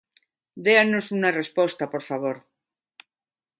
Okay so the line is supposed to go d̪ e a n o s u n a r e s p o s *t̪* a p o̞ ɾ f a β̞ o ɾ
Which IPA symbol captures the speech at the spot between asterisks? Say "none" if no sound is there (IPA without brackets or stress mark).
t̪